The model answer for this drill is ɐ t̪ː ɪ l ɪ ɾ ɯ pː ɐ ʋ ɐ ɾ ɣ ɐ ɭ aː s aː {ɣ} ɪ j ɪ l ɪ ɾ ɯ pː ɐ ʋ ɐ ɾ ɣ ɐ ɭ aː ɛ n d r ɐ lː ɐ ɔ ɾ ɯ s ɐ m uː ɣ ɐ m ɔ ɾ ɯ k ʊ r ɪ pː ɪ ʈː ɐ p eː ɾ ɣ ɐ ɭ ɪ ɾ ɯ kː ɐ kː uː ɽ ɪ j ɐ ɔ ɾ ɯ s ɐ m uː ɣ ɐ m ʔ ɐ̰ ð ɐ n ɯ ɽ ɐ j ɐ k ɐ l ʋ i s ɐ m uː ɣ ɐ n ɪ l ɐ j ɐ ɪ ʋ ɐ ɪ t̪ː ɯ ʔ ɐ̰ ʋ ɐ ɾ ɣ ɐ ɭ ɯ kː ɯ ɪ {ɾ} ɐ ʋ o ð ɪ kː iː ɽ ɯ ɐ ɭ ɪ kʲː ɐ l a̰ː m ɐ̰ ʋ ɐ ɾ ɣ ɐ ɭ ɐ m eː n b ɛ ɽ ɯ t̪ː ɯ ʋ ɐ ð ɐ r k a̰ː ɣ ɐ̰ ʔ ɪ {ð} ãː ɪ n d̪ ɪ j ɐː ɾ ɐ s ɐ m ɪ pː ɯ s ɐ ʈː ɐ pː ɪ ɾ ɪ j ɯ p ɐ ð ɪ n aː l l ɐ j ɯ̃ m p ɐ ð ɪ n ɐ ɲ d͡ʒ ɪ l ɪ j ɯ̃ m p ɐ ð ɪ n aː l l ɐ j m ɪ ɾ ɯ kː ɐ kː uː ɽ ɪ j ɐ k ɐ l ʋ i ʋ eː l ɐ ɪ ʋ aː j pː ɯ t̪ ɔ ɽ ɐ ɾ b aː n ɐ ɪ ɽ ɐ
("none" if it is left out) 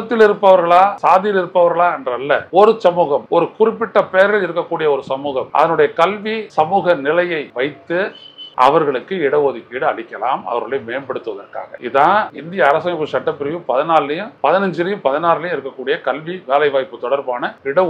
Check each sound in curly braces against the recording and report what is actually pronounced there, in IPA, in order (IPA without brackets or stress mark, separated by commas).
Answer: ð, ɽ, ð